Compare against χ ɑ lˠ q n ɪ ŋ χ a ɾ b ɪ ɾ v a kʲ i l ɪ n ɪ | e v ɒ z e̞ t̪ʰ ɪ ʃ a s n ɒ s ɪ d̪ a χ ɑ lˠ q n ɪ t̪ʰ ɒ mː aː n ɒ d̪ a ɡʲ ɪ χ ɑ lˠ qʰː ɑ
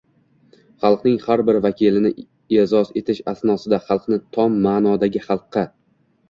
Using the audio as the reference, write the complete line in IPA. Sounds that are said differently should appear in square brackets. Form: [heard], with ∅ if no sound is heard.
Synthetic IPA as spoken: χ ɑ lˠ q n ɪ ŋ χ a ɾ b ɪ ɾ v a kʲ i l ɪ n ɪ | e [z] ɒ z e̞ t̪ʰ ɪ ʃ a s n ɒ s ɪ d̪ a χ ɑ lˠ q n ɪ t̪ʰ ɒ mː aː n ɒ d̪ a ɡʲ ɪ χ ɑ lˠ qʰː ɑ